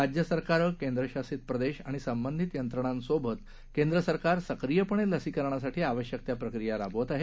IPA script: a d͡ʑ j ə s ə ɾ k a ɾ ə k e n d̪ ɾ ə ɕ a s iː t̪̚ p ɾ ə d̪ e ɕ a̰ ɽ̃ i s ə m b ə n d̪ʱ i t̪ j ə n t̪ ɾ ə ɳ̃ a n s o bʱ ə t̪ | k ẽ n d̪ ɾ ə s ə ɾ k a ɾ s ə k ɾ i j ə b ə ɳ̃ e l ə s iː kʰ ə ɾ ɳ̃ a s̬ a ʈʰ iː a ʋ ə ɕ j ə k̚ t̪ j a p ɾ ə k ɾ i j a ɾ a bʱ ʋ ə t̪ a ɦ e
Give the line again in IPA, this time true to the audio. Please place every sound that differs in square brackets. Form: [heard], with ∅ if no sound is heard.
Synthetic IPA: a d͡ʑ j ə s ə ɾ k a ɾ ə k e n d̪ ɾ ə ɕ a s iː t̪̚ p ɾ ə d̪ e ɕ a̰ ɽ̃ i s ə m b ə n d̪ʱ i t̪ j ə n t̪ ɾ ə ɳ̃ a n s o bʱ ə t̪ | k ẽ n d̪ ɾ ə s ə ɾ k a ɾ s ə k ɾ i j ə [p] ə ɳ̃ e l ə s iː [k] ə ɾ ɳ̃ a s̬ a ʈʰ iː a ʋ ə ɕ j ə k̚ t̪ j a p ɾ ə k ɾ i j a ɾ a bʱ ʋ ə t̪ a ɦ e